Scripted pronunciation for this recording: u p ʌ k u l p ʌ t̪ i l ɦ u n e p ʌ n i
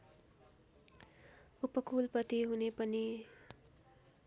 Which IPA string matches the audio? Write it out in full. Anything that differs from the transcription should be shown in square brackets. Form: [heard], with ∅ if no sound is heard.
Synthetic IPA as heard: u p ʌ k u l p ʌ t̪ i [∅] ɦ u n e p ʌ n i

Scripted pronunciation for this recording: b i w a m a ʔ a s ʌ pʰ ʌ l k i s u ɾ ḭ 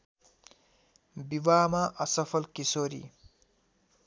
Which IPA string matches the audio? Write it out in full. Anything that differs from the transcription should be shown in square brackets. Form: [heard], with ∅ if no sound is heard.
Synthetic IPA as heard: b i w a m a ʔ [ʌ] s ʌ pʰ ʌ l k i s [o] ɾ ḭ

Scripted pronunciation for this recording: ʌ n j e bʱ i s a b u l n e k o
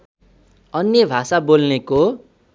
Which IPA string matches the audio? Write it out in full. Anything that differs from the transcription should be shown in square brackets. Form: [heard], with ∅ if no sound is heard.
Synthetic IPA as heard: ʌ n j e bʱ [a] s a b [o] l n e k o

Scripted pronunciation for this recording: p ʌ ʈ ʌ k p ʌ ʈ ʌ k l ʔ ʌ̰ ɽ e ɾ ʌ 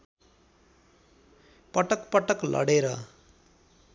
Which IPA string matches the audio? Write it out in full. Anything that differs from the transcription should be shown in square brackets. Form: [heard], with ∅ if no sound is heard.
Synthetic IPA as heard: p ʌ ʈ ʌ k p ʌ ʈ ʌ k l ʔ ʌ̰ ɽ e ɾ ʌ

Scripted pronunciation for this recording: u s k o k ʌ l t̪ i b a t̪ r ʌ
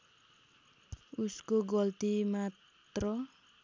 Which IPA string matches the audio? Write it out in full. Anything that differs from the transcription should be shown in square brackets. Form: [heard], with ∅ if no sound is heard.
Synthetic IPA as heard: u s k o [ɡ] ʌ l t̪ i [m] a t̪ r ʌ

